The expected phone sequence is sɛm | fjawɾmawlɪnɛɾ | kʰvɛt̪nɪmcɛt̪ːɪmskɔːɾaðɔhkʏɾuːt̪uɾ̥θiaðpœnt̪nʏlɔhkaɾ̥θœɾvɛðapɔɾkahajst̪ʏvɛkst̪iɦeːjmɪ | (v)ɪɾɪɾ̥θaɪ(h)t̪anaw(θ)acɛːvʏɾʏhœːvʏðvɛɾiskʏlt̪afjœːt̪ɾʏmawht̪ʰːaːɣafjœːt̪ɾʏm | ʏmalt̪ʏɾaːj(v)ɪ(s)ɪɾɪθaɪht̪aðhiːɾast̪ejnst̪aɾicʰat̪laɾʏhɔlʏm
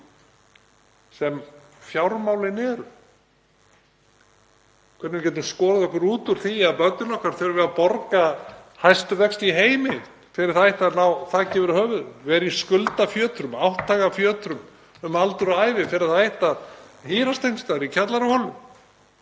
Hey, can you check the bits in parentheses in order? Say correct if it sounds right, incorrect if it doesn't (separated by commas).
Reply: incorrect, correct, correct, correct, incorrect